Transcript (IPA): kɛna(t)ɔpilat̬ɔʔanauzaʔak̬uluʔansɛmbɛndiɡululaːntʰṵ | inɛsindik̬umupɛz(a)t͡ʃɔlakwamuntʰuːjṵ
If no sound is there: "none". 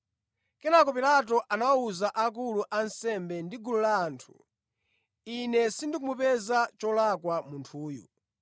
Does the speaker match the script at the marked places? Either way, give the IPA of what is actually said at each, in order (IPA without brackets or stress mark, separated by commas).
k, a